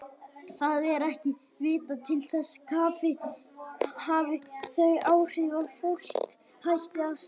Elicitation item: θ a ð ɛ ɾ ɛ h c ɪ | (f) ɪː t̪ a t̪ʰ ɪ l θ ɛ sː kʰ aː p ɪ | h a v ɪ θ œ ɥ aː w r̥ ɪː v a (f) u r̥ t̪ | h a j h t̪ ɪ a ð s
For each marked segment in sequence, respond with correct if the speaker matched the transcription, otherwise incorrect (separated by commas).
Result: incorrect, correct